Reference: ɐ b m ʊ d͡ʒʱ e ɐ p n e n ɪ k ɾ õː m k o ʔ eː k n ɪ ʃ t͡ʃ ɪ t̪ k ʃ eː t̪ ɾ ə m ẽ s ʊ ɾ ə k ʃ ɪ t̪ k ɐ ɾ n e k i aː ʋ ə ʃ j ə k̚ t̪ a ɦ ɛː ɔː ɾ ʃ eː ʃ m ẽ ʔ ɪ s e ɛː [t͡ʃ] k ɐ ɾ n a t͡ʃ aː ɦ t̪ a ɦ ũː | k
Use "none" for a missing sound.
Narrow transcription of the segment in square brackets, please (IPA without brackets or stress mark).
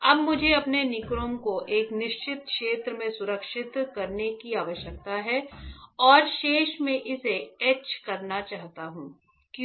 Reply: t͡ʃ